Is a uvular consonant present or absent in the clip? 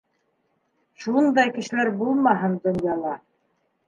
absent